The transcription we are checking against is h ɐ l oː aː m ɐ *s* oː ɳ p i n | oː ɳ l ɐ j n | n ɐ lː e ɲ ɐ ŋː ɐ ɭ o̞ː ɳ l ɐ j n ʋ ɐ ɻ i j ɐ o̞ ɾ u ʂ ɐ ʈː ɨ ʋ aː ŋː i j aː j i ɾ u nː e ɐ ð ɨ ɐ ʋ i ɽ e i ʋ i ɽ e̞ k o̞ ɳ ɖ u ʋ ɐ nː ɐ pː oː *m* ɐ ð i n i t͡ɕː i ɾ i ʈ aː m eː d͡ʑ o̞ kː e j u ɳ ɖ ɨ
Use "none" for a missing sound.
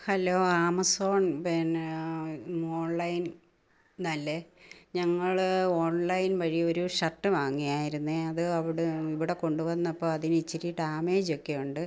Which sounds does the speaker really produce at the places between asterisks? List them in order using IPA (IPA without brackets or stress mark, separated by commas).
s, none